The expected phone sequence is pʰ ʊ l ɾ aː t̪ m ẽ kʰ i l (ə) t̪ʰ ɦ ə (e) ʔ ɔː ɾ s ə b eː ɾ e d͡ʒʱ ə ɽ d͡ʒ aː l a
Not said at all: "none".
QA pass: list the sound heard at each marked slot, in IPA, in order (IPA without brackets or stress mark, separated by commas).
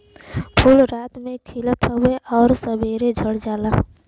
ə, e